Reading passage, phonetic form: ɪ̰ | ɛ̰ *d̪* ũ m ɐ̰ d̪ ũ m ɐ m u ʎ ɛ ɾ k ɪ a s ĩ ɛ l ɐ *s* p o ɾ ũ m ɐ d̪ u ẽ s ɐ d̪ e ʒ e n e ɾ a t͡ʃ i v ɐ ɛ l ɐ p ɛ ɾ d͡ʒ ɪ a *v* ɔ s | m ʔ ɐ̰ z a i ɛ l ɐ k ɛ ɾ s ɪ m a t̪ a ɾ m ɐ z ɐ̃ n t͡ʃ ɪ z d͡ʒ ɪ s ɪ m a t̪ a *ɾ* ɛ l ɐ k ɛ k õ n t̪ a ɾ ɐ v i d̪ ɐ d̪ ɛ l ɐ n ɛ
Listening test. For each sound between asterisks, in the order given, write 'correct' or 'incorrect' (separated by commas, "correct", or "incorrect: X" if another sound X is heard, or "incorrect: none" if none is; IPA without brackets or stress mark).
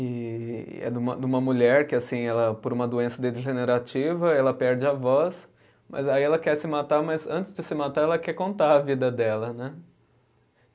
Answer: correct, incorrect: none, correct, correct